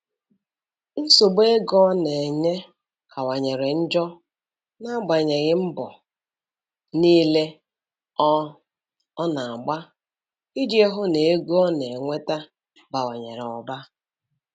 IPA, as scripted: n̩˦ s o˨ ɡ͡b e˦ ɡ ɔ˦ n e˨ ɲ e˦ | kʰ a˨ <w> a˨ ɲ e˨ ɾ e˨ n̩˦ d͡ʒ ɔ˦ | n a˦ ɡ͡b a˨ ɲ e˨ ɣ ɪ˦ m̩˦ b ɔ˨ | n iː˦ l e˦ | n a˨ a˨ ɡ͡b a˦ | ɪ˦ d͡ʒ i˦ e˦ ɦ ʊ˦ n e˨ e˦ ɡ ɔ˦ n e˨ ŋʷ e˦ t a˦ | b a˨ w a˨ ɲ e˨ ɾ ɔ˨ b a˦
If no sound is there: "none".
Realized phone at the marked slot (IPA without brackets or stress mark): w